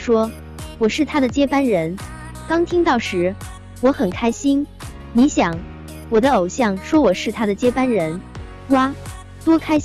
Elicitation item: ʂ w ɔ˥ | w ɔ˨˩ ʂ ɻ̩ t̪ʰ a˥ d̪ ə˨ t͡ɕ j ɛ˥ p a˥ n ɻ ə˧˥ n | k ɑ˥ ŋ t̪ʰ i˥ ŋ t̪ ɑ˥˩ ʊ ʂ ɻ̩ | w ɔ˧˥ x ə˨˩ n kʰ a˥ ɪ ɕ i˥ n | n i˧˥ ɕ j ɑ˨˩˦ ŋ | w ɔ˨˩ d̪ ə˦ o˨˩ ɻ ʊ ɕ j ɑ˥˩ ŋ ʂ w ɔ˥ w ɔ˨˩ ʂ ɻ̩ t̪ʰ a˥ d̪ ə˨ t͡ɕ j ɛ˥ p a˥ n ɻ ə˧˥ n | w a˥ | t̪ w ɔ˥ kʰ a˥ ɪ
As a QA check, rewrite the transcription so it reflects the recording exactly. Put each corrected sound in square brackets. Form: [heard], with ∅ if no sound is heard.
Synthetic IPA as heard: ʂ w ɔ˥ | w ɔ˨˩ ʂ ɻ̩ t̪ʰ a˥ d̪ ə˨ t͡ɕ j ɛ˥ p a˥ n ɻ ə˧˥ n | k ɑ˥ ŋ t̪ʰ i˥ ŋ t̪ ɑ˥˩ ʊ ʂ ɻ̩ | w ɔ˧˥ x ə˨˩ n kʰ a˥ ɪ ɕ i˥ n | n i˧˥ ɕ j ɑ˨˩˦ ŋ | w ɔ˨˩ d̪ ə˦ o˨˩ [∅] ʊ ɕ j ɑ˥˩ ŋ ʂ w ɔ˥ w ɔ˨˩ ʂ ɻ̩ t̪ʰ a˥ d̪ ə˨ t͡ɕ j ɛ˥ p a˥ n ɻ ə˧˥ n | w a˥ | t̪ w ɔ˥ kʰ a˥ ɪ